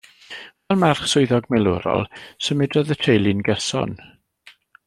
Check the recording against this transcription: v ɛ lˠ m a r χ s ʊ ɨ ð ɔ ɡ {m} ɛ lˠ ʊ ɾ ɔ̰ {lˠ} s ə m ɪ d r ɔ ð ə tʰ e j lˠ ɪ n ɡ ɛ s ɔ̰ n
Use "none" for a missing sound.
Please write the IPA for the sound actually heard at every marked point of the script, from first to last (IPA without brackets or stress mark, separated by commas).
m, lˠ